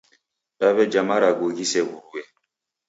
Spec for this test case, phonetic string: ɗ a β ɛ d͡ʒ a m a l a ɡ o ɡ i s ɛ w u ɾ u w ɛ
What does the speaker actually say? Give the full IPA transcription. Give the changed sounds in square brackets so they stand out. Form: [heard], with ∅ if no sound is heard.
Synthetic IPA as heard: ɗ a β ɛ d͡ʒ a m a [ɾ] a ɡ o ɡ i s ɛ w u ɾ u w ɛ